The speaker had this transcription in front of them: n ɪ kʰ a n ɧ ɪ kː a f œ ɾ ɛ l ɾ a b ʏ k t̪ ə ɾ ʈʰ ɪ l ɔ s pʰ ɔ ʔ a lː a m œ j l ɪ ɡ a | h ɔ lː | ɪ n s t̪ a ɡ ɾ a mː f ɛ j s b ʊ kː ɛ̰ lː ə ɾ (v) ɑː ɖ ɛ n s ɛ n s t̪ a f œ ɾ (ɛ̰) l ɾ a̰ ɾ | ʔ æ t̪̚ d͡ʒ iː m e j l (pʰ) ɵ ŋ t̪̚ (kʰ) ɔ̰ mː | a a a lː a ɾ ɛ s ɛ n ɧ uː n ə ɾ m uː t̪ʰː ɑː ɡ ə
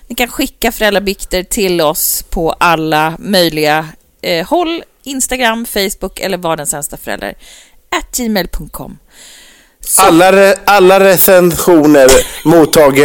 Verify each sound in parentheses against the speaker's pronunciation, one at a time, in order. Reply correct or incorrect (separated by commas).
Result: correct, correct, correct, correct